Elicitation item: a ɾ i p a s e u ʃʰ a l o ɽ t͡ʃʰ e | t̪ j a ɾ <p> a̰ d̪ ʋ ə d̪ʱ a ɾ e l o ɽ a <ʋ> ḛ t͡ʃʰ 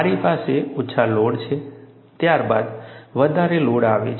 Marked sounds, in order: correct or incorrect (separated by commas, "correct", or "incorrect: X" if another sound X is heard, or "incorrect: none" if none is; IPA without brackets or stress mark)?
incorrect: b, correct